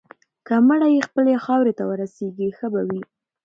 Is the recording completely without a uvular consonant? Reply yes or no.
yes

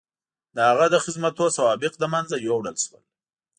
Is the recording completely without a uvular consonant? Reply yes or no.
no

